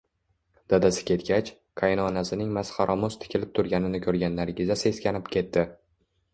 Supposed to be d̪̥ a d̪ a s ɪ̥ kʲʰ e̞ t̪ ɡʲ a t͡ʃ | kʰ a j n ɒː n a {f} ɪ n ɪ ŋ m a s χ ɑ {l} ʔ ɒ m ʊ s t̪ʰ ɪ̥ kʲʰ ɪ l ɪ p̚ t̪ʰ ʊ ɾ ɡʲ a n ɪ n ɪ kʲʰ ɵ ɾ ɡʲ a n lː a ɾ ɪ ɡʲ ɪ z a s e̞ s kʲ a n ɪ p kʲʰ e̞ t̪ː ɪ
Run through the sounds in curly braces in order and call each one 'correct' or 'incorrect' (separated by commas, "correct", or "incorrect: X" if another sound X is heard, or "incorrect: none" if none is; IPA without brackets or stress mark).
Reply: incorrect: s, incorrect: ɾ